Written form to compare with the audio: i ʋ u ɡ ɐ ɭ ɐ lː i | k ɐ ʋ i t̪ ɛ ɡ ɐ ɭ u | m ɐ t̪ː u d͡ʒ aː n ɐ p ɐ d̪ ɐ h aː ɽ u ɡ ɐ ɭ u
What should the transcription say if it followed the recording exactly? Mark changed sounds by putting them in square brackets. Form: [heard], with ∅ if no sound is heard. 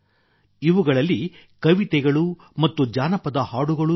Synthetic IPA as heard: i ʋ u ɡ ɐ ɭ ɐ lː i | k ɐ ʋ i t̪ ɛ ɡ ɐ ɭ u | m ɐ t̪ː u d͡ʒ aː n ɐ p ɐ d̪ ɐ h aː ɽ u ɡ ɐ ɭ u